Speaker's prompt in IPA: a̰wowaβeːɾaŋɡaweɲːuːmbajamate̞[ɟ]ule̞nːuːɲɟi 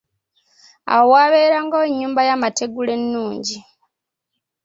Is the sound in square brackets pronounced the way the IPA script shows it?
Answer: no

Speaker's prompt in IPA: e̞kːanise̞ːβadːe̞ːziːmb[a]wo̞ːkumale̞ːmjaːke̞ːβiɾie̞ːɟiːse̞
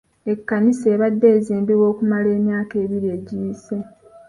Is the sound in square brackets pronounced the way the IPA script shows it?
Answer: no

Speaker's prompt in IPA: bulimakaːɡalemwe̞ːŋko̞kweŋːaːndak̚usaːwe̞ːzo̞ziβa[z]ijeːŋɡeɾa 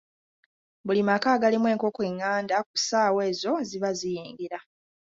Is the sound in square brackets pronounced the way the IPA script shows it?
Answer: yes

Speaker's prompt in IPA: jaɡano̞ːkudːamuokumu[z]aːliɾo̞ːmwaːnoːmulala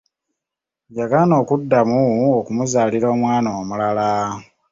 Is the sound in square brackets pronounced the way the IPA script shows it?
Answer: yes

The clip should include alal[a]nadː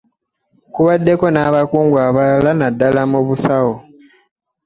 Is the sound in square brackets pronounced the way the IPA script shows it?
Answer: yes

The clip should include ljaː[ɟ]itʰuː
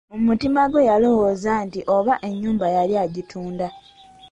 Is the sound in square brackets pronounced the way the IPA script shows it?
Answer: yes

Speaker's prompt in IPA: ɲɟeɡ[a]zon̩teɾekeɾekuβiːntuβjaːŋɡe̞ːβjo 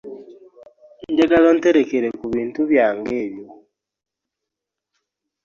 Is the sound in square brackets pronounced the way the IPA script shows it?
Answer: yes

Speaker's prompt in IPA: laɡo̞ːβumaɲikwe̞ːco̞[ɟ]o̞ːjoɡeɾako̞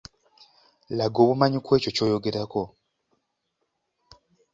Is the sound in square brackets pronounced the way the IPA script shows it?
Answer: no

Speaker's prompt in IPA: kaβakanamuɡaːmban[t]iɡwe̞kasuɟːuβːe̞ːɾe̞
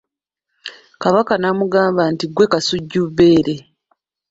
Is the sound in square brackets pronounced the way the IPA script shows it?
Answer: yes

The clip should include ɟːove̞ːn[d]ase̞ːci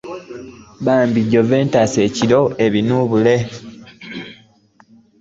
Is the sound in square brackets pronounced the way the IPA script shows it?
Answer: no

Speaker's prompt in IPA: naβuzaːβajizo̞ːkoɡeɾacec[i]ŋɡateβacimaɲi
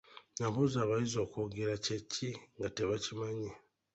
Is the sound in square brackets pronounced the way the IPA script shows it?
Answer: yes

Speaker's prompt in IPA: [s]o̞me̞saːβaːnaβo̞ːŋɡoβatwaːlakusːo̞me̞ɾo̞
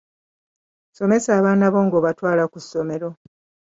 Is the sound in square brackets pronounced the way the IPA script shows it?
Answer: yes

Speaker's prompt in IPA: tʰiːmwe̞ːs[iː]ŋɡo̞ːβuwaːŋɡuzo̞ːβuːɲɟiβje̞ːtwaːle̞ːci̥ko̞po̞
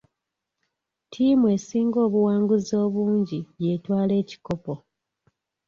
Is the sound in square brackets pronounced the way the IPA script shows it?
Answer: yes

